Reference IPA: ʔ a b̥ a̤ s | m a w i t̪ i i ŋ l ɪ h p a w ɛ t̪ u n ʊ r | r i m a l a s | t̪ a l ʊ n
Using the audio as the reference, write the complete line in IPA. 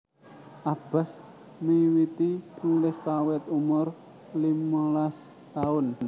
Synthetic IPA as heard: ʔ a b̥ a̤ s | m i w i t̪ i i ŋ l ɪ s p a w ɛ t̪ u m ʊ r | l i m a l a s | t̪ a ʊ n